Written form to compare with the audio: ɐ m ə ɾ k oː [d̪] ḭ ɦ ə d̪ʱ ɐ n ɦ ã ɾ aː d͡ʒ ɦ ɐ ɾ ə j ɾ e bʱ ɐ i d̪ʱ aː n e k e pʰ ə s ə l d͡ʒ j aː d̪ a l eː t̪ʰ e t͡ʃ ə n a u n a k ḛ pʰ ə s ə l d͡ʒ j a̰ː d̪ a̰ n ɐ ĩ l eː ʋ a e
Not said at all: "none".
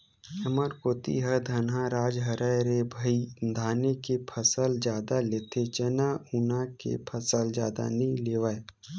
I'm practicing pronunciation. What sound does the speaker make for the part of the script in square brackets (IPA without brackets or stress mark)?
t̪